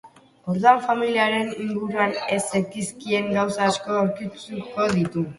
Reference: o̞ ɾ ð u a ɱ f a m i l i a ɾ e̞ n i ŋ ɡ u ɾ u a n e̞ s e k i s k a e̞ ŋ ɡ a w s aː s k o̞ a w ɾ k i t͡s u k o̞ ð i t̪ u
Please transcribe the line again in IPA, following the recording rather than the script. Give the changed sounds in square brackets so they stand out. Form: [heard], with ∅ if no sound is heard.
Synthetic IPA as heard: o̞ ɾ ð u a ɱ f a m i l i a ɾ e̞ n i ŋ ɡ u ɾ u a n e̞ s e k i s k [i] e̞ ŋ ɡ a w s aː s k o̞ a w ɾ k i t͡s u k o̞ ð i t̪ u